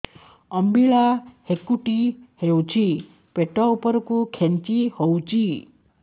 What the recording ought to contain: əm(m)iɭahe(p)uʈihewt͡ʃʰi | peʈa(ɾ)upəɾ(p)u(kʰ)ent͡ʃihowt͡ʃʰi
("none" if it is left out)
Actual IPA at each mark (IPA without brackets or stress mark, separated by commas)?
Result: b, k, none, k, kʰ